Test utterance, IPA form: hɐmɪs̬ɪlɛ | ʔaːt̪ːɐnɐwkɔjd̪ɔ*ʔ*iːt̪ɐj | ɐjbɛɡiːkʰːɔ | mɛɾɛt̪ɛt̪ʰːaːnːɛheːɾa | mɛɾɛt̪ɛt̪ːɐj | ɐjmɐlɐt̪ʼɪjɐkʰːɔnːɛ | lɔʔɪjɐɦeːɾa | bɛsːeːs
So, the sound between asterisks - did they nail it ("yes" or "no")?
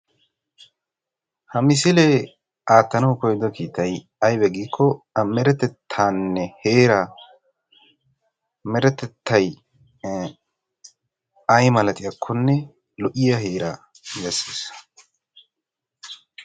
no